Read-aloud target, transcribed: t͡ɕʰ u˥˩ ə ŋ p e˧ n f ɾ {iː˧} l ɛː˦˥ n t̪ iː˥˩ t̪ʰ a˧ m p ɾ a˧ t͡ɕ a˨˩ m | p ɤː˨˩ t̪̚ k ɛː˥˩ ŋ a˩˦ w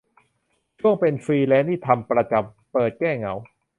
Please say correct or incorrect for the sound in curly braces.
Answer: correct